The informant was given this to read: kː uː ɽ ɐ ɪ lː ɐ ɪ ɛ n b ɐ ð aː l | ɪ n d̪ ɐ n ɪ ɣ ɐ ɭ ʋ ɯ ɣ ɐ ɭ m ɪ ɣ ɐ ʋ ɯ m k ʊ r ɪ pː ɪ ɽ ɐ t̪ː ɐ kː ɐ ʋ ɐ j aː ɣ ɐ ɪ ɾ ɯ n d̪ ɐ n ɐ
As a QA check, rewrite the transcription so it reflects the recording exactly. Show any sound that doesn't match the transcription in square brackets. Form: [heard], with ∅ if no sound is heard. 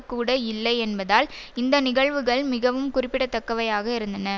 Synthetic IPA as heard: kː uː ɽ ɐ ɪ lː ɐ ɪ ɛ n b ɐ ð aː l | ɪ n d̪ ɐ n ɪ ɣ ɐ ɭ ʋ ɯ ɣ ɐ ɭ m ɪ ɣ ɐ ʋ ɯ m k ʊ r ɪ pː ɪ ɽ ɐ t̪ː ɐ kː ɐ ʋ ɐ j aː ɣ ɐ ɪ ɾ ɯ n d̪ ɐ n ɐ